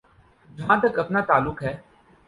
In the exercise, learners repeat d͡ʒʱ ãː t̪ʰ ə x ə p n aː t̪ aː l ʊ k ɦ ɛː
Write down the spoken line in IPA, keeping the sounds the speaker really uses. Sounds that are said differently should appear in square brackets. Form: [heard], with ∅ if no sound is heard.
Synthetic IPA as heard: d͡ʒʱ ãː [t̪] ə [k] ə p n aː t̪ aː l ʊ k ɦ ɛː